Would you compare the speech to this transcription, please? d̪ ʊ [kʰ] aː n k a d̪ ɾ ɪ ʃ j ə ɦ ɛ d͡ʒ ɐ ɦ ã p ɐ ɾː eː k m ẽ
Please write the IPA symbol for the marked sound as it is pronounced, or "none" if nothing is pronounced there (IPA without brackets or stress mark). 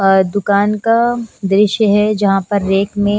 k